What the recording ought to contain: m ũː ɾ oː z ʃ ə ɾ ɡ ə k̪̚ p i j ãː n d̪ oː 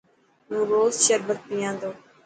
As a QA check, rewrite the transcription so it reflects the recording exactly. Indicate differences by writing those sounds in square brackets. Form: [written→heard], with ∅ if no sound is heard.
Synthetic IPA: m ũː ɾ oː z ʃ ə ɾ [ɡ→b] ə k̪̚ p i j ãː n d̪ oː